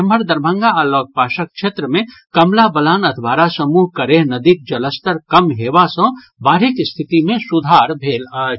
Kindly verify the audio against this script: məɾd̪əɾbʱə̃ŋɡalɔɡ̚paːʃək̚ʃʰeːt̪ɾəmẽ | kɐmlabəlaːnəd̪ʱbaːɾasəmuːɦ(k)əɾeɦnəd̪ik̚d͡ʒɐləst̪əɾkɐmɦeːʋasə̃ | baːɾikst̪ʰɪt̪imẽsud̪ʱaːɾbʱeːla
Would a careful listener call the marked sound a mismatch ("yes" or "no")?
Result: no